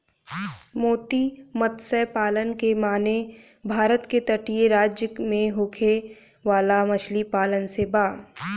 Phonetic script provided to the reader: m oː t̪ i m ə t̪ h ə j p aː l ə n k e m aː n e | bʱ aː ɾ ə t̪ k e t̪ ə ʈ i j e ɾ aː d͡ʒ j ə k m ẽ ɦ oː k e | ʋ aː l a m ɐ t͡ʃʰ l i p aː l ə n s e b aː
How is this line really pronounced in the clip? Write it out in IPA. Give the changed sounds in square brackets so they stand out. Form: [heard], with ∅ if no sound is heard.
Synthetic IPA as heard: m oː t̪ i m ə t̪ [s] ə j p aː l ə n k e m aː n e | bʱ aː ɾ ə t̪ k e t̪ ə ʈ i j e ɾ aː d͡ʒ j ə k m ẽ ɦ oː [kʰ] e | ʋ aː l a m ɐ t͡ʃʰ l i p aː l ə n s e b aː